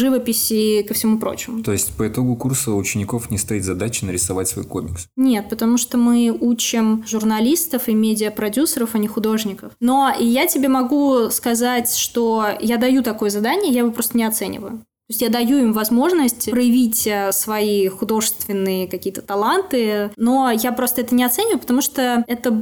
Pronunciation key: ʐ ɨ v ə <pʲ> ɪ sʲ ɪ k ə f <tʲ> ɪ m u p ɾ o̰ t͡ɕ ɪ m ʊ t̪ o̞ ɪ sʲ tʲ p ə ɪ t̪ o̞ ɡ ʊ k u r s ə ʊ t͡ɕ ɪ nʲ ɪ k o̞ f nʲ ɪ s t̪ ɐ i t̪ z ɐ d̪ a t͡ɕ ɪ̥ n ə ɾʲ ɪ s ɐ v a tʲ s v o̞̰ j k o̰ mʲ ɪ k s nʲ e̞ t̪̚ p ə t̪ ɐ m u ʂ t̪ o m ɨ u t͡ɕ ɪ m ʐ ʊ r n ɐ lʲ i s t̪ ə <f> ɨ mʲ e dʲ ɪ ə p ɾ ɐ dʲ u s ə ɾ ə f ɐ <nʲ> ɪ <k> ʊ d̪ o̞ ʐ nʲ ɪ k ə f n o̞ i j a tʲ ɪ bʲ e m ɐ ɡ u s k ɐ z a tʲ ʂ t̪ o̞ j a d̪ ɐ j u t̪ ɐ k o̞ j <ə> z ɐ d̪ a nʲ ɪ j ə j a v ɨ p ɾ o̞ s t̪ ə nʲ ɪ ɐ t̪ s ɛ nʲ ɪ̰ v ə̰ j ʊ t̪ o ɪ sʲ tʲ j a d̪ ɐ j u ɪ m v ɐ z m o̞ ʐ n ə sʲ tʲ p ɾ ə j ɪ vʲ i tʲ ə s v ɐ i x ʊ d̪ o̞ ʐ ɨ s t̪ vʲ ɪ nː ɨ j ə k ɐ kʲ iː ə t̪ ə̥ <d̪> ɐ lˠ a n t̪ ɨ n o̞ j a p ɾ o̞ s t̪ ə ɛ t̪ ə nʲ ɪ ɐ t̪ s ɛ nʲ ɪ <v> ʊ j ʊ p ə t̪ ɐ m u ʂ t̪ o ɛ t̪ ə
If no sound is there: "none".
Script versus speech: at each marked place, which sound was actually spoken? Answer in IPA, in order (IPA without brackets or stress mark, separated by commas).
pʲ, sʲ, f, nʲ, x, ə, t̪, v